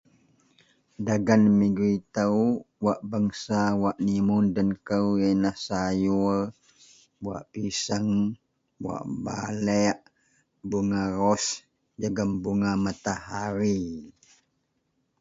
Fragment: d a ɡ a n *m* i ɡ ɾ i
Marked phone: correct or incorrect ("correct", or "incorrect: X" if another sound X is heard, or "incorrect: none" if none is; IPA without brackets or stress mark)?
correct